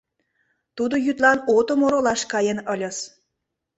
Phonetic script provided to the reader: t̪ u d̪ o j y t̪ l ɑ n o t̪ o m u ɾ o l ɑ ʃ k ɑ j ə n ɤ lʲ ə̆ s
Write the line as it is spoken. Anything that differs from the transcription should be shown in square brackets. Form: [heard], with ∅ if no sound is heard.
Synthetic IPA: t̪ u d̪ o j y t̪ l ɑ n o t̪ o m [o] ɾ o l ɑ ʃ k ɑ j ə n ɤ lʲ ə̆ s